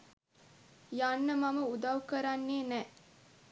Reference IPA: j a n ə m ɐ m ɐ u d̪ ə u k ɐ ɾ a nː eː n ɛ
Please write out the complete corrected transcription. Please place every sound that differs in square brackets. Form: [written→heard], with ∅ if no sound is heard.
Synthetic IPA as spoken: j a [n→nː] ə m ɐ m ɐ u d̪ [ə→ɐ] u k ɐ ɾ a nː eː n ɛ